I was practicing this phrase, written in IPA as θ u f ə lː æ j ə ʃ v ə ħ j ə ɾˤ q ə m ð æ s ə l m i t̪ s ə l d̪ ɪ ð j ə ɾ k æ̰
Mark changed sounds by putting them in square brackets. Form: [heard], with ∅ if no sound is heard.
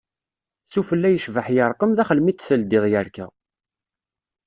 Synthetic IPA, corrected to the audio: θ u f ə lː æ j ə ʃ v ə ħ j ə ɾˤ q ə m ð æ [χ] ə l m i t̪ [θ] ə l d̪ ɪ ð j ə ɾ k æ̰